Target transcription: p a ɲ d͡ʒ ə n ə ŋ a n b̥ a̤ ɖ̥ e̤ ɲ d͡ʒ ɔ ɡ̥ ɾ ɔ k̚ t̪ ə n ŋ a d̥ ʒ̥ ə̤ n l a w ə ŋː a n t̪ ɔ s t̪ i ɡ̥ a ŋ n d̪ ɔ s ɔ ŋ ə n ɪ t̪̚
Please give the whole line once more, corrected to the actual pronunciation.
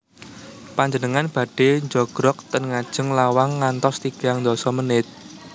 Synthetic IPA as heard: p a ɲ d͡ʒ ə n ə ŋ a n b̥ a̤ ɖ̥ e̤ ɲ d͡ʒ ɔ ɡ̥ ɾ ɔ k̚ t̪ ə n ŋ a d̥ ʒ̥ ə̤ ŋ l a w a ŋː a n t̪ ɔ s t̪ i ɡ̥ a ŋ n d̪ ɔ s ɔ m ə n ɪ t̪̚